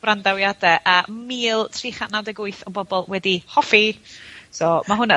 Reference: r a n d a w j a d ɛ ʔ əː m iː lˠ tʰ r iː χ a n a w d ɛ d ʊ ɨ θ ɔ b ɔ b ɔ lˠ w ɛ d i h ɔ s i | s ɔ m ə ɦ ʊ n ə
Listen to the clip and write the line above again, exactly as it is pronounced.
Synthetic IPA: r a n d a w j a d ɛ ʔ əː m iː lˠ tʰ r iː χ a n a w d ɛ ɡ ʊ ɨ θ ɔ b ɔ b ɔ lˠ w ɛ d i h ɔ f i | s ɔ m a ɦ ʊ n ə

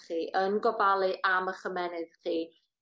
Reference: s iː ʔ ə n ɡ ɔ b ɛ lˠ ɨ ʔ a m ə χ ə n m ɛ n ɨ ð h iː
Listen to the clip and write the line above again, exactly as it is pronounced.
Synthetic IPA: χ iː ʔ ə n ɡ ɔ b a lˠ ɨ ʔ a m ə χ ə m ɛ n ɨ ð χ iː

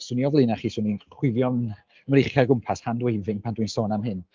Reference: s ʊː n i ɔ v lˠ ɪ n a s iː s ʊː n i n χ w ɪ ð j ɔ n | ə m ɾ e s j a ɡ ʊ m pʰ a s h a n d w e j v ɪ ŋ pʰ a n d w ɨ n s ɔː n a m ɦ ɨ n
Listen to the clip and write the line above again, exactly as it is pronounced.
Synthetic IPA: s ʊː n i ɔ v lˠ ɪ n a χ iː s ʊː n i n χ w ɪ v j ɔ n | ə m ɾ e χ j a ɡ ʊ m pʰ a s h a n d w e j v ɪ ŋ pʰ a n d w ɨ n s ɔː n a m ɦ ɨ n

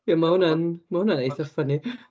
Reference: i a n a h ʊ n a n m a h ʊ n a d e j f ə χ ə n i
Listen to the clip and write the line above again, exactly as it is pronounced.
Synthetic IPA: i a m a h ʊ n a n m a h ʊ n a n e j θ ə f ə n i

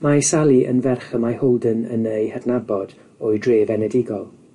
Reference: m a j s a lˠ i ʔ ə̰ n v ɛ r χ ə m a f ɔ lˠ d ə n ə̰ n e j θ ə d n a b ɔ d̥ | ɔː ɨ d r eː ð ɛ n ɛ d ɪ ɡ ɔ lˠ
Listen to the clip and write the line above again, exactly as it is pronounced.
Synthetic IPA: m a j s a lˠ i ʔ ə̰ n v ɛ r χ ə m a h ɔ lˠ d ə n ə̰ n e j h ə d n a b ɔ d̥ | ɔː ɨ d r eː v ɛ n ɛ d ɪ ɡ ɔ lˠ

